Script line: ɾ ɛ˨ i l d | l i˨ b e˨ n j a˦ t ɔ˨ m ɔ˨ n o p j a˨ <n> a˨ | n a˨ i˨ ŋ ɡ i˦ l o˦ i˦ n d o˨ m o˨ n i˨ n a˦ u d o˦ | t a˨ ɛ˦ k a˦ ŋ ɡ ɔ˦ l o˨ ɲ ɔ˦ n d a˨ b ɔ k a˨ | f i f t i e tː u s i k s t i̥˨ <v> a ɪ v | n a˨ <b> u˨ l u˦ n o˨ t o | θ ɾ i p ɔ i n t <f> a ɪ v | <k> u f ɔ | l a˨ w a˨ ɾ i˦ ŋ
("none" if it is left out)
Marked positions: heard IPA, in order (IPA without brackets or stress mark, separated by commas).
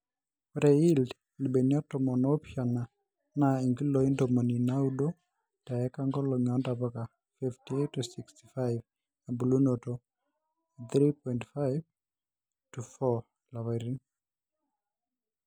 n, f, b, f, t